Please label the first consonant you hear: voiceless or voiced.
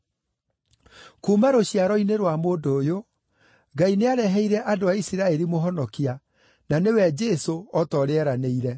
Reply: voiceless